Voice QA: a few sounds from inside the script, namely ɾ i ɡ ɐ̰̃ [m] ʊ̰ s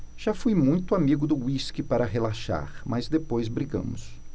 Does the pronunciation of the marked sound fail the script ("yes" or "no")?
no